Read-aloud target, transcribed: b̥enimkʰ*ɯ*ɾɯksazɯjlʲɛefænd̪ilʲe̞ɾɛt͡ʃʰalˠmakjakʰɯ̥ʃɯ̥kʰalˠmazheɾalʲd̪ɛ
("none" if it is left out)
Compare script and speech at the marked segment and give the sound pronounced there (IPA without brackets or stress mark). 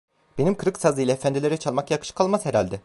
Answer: ɯ